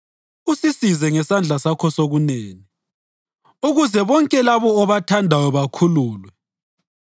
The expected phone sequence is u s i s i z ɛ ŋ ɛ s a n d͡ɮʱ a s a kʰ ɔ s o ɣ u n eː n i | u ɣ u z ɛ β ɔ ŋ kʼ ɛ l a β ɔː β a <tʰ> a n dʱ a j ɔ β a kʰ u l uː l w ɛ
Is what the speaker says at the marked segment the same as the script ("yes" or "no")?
yes